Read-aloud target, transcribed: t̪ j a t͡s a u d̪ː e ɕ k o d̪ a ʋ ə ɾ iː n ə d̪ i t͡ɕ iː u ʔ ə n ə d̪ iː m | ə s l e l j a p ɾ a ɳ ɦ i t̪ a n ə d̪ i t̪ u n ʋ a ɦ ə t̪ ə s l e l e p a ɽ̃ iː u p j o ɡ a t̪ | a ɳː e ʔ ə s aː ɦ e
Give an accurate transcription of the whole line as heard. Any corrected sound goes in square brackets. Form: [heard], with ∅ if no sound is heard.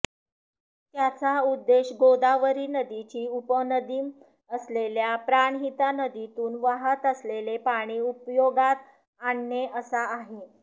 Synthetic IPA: t̪ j a t͡s a u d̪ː e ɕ [ɡ] o d̪ a ʋ ə ɾ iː n ə d̪ i t͡ɕ iː u [p] ə n ə d̪ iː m | ə s l e l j a p ɾ a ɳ ɦ i t̪ a n ə d̪ i t̪ [uː] n ʋ a ɦ ə t̪ ə s l e l e p a ɽ̃ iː u p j o ɡ a t̪ | a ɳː e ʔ ə s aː ɦ e